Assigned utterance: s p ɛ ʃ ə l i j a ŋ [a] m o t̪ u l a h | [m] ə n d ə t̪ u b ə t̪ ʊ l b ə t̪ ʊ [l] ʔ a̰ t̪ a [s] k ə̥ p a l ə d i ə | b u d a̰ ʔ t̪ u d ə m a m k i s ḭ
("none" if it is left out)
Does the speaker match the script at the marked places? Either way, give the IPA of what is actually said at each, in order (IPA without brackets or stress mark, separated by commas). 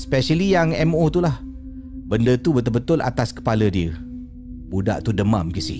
ɛ, b, l, s